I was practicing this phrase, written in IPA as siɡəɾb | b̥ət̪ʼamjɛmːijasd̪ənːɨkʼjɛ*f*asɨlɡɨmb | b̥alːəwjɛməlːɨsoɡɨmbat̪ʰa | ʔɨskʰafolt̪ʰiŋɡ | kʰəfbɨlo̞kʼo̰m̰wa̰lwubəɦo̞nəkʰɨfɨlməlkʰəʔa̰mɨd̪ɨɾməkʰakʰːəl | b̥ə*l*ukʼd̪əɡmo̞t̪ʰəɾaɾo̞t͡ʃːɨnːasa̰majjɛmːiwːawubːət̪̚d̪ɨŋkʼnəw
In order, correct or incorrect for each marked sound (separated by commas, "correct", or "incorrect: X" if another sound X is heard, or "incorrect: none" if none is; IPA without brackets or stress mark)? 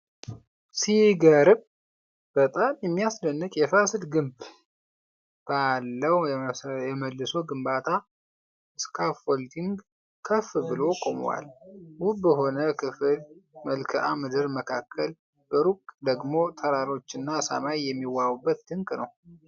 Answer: correct, incorrect: ɾ